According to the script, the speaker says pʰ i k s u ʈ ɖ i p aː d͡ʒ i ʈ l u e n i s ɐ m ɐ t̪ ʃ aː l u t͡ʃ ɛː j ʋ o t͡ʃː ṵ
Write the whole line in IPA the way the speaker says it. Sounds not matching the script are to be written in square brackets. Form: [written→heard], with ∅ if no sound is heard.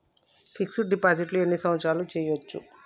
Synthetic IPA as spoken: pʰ i k s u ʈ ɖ i p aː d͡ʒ i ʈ l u e [n→nː] i s ɐ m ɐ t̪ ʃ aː l u t͡ʃ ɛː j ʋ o t͡ʃː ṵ